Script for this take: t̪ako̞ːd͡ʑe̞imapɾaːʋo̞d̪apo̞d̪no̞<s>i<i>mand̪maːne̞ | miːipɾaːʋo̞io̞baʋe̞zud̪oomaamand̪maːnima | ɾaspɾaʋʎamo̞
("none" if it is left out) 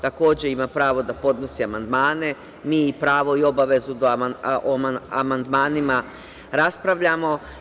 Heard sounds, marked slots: s, a

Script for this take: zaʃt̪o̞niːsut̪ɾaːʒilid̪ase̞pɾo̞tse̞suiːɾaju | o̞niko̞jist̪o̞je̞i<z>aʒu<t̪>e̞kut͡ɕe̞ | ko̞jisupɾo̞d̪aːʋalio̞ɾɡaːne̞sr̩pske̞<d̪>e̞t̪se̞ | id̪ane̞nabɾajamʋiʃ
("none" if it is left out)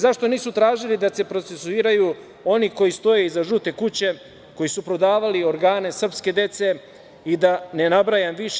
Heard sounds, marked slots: z, t̪, d̪

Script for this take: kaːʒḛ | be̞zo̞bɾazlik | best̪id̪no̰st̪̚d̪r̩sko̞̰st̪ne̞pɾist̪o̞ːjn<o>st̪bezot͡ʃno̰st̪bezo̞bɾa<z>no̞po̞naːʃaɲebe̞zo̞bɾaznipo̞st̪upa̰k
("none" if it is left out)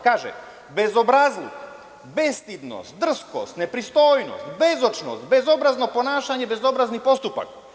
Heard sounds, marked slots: o, z

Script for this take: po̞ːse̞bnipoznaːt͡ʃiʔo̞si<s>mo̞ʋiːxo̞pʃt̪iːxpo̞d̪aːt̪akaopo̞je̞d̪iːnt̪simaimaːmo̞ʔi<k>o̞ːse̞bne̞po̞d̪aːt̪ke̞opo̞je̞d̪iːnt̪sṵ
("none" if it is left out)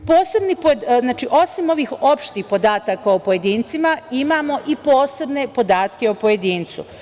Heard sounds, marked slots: none, p

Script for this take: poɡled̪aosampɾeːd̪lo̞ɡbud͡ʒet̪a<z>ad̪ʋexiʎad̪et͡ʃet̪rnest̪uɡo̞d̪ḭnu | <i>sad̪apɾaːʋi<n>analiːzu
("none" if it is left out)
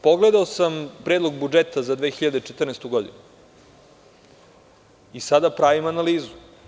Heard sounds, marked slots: z, i, m

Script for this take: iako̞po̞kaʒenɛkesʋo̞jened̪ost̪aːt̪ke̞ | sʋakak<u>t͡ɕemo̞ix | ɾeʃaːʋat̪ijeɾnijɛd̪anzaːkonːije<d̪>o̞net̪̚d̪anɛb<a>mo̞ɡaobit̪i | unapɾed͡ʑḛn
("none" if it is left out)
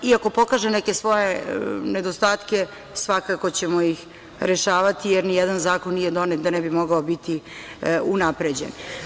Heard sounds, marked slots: o, d̪, i

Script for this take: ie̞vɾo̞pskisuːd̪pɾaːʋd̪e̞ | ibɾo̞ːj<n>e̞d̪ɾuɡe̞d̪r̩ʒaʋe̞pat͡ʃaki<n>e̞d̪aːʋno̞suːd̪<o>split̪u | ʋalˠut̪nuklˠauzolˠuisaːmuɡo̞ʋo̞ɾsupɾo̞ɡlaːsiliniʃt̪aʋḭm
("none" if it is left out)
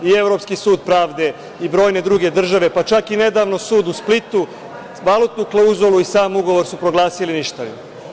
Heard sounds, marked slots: n, n, u

